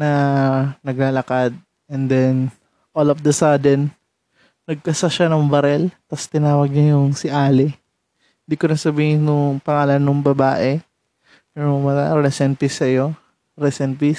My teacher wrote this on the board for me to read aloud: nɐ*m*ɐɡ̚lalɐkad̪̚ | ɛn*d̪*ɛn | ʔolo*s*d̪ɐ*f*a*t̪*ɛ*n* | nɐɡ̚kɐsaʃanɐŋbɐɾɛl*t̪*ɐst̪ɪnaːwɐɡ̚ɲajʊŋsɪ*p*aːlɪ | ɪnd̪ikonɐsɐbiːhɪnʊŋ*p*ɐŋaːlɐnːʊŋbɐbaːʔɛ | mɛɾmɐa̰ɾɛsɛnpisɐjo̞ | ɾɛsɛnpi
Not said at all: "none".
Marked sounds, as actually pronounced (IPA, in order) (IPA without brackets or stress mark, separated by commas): n, d̪, f, s, d̪, n, t̪, ʔ, p